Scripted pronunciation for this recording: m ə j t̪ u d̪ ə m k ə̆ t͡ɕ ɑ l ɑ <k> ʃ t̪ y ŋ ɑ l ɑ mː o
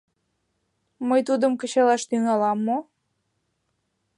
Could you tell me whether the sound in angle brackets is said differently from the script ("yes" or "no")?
yes